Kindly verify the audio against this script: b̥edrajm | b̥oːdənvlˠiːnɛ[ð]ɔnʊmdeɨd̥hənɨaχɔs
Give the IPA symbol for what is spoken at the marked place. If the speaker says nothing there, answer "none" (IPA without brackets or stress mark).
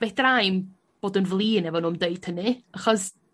v